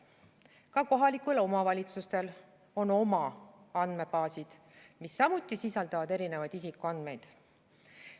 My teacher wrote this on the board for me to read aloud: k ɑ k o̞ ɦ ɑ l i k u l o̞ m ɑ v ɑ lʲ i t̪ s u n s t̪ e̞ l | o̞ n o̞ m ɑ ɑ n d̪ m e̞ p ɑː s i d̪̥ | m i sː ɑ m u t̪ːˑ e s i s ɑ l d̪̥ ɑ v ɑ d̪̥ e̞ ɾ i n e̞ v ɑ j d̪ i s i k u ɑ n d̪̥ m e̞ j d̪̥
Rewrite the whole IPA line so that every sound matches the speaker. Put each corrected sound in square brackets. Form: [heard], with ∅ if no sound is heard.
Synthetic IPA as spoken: k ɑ k o̞ ɦ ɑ l i k u l o̞ m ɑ v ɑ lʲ i t̪ s u [∅] s t̪ e̞ l | o̞ n o̞ m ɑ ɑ n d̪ m e̞ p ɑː s i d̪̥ | m i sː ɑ m u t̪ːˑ [i] s i s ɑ l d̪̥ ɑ v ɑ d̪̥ e̞ ɾ i n e̞ v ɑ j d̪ i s i k u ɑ n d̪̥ m e̞ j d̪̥